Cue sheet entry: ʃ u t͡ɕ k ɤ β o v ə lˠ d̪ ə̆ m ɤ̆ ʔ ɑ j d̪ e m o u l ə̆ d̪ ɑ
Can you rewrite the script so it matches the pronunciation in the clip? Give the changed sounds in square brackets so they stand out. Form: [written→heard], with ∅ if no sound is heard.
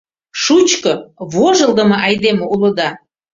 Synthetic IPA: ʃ u t͡ɕ k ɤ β o [v→ʒ] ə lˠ d̪ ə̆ m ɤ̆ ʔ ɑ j d̪ e m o u l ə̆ d̪ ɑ